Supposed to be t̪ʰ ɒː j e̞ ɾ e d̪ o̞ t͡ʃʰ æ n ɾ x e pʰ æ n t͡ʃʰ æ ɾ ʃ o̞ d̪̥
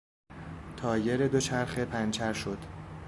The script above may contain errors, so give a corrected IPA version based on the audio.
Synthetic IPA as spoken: t̪ʰ ɒː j e̞ ɾ e d̪ o̞ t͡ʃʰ æ ɾ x e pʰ æ n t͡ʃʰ æ ɾ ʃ o̞ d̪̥